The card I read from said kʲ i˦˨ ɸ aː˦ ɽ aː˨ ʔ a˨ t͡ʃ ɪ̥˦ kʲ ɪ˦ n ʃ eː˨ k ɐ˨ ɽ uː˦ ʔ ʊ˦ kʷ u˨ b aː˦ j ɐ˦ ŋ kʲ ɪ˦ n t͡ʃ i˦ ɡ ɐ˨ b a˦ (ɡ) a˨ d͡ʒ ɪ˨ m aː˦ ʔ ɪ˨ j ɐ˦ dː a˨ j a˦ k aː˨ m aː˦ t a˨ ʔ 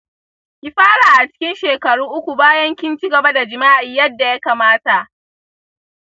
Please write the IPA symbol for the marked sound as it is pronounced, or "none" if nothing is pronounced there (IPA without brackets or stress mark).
d